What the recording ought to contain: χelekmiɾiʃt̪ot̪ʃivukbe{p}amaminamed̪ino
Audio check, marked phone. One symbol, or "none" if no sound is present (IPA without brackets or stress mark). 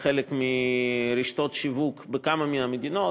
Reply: k